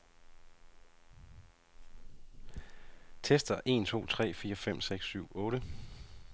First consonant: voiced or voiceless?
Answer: voiceless